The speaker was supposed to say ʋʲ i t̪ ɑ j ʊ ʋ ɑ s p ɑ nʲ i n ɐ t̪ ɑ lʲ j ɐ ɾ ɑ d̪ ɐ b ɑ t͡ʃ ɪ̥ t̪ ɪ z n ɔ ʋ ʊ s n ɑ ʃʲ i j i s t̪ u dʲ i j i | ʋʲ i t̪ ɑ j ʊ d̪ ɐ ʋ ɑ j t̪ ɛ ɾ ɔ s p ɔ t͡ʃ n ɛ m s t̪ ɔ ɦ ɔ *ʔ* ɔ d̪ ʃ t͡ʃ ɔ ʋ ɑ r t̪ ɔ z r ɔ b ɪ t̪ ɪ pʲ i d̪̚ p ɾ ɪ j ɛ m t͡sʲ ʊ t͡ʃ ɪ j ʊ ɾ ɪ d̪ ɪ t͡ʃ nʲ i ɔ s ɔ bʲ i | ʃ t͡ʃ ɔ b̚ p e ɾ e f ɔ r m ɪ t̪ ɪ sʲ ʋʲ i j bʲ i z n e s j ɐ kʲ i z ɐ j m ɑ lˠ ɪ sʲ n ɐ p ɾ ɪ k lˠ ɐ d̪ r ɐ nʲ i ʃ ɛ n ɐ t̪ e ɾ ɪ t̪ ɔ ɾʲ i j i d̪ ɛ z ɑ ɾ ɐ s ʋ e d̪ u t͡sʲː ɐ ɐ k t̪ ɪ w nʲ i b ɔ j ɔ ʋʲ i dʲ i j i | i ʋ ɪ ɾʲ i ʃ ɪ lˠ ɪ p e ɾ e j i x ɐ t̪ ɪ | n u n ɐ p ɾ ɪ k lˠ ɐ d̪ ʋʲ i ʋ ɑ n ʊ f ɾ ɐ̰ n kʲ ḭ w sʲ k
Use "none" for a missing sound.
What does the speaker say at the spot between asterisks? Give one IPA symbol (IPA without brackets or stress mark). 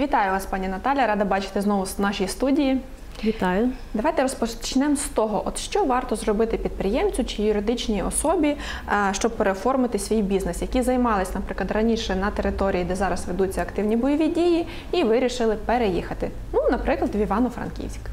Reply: ʔ